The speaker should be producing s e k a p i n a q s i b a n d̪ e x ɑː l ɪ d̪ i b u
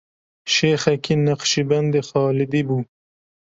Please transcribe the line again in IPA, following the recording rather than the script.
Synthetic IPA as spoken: ʃ e x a k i n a q ʃ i b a n d̪ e x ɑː l ɪ d̪ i b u